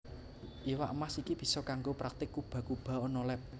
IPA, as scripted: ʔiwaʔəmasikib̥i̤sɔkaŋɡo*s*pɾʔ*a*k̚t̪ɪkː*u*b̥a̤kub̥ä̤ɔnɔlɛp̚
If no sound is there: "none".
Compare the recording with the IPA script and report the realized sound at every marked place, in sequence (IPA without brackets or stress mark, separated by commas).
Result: none, a, u